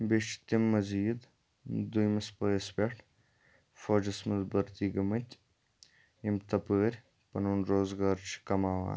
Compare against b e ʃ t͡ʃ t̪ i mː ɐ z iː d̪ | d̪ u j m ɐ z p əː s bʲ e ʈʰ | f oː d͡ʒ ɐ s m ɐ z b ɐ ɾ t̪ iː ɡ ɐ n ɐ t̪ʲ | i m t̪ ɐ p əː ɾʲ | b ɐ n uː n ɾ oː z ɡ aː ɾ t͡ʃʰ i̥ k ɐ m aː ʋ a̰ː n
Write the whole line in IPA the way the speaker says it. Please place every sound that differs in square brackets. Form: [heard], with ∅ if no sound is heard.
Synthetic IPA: b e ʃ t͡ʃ t̪ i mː ɐ z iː d̪ | d̪ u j m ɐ [s] p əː s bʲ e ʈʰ | f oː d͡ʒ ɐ s m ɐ z b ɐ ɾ t̪ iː ɡ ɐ [m] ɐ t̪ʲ | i m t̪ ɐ p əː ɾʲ | [p] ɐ n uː n ɾ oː z ɡ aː ɾ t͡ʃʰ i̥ k ɐ m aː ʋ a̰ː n

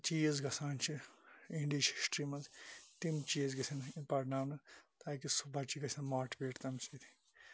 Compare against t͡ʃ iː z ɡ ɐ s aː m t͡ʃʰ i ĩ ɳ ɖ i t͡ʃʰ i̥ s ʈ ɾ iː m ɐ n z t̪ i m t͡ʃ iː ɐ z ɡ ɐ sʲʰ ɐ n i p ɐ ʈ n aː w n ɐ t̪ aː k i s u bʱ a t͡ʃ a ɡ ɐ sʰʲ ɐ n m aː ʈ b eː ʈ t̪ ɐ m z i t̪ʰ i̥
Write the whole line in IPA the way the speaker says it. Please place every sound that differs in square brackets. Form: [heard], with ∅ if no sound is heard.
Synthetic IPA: t͡ʃ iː z ɡ ɐ s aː [n] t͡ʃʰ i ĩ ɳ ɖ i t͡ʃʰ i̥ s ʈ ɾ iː m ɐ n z t̪ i m t͡ʃ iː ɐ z ɡ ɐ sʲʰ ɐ n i p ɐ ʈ n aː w n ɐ t̪ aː k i s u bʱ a t͡ʃ [i] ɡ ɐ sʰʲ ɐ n m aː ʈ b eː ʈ t̪ ɐ m [s] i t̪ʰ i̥

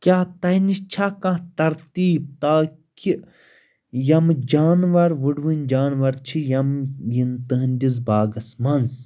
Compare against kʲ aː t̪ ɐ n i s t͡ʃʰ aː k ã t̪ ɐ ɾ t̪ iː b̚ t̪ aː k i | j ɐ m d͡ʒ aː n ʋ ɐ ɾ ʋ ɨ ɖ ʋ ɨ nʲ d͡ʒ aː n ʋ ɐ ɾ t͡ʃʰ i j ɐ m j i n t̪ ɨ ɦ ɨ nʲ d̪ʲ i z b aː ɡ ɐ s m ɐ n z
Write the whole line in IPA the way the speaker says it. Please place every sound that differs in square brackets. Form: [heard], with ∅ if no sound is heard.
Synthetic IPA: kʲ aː t̪ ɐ n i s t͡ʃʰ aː k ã t̪ ɐ ɾ t̪ iː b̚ t̪ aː k i | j ɐ m d͡ʒ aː n ʋ ɐ ɾ ʋ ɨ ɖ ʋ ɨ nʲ d͡ʒ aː n ʋ ɐ ɾ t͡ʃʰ i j ɐ m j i n t̪ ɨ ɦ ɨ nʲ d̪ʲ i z b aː ɡ ɐ s m ɐ n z

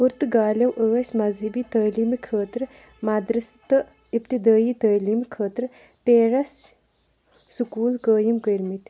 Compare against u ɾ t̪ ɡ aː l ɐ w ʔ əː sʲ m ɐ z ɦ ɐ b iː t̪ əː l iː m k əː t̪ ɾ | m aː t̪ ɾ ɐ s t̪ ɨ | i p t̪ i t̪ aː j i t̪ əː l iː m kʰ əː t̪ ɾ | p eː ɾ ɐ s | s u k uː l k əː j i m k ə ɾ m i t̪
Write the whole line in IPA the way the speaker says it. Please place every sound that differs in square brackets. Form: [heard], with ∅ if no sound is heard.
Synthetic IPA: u ɾ t̪ ɡ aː l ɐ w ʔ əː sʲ m ɐ z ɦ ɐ b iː t̪ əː l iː m [kʰ] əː t̪ ɾ | m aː [d̪] ɾ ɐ s t̪ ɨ | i p t̪ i [d̪] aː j i t̪ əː l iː m kʰ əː t̪ ɾ | p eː ɾ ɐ s | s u k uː l k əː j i m k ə ɾ m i t̪

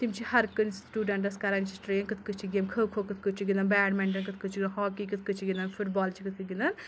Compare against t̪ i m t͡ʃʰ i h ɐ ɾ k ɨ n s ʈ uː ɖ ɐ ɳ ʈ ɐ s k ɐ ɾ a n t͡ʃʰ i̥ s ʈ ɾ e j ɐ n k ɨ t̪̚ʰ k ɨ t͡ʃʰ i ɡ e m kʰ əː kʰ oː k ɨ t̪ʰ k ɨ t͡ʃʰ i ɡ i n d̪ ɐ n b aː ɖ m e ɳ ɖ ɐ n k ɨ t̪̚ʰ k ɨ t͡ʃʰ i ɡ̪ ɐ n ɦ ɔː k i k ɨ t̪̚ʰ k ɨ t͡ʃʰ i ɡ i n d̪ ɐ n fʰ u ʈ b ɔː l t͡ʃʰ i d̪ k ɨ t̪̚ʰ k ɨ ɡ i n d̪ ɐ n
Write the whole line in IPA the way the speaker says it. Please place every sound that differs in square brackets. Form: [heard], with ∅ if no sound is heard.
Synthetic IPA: t̪ i m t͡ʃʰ i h ɐ ɾ k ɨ n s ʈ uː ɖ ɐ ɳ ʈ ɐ s k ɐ ɾ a n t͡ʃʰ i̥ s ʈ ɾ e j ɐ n k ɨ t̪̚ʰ k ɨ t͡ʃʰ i ɡ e m kʰ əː kʰ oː k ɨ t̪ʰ k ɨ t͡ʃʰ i ɡ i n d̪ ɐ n b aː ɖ m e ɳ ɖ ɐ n k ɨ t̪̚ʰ k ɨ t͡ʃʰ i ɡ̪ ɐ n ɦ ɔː k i k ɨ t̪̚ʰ k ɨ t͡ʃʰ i ɡ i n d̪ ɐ n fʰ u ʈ b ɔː l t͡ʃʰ i [∅] k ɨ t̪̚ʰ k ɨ ɡ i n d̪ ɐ n

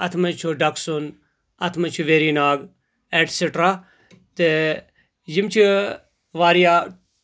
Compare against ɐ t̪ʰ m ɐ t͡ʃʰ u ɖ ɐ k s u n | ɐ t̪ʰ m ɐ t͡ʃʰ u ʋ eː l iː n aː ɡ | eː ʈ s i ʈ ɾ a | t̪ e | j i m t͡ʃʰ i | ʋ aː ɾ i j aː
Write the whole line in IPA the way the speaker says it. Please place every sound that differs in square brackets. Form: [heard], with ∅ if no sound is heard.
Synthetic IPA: ɐ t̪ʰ m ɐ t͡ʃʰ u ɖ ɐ k s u n | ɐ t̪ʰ m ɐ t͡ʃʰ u ʋ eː [ɾ] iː n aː ɡ | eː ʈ s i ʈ ɾ a | t̪ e | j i m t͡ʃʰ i | ʋ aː ɾ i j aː

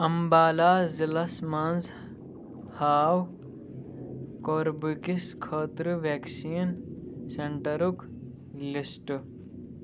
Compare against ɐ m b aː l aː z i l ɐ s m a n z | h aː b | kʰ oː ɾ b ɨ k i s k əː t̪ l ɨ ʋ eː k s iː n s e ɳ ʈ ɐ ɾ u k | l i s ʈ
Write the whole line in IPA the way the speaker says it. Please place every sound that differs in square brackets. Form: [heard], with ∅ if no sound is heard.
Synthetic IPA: ɐ m b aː l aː z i l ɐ s m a n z | h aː [w] | [k] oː ɾ b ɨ k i s [kʰ] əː t̪ [ɾ] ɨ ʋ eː k s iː n s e ɳ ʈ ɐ ɾ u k | l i s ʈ

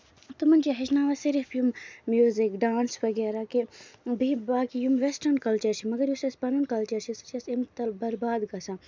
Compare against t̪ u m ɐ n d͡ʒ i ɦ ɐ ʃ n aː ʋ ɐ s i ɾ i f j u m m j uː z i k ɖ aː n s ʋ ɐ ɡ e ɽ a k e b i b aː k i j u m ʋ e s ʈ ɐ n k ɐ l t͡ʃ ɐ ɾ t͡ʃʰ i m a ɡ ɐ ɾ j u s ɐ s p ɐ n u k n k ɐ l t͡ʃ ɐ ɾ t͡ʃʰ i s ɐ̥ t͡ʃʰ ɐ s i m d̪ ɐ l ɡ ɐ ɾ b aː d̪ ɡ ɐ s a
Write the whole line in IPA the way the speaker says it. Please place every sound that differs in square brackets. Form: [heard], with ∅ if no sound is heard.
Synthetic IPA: t̪ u m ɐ n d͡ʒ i ɦ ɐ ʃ n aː ʋ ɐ s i ɾ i f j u m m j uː z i k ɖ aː n s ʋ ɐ ɡ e [ɾ] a k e b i b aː k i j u m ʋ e s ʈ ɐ n k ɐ l t͡ʃ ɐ ɾ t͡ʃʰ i m [ɐ] ɡ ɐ ɾ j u s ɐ s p ɐ n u [∅] n k ɐ l t͡ʃ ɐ ɾ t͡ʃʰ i s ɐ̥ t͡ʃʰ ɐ s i m [t̪] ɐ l [b] ɐ ɾ b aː d̪ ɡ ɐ s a

